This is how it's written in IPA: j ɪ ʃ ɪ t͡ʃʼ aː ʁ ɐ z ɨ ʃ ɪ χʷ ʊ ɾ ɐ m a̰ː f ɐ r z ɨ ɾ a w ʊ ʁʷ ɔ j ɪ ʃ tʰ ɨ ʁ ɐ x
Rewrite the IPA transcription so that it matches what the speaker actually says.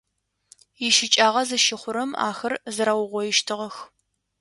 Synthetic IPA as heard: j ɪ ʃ ɪ t͡ʃʼ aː ʁ ɐ z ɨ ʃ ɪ χʷ ʊ ɾ ɐ m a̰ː x ɐ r z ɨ ɾ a w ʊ ʁʷ ɔ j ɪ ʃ tʰ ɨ ʁ ɐ x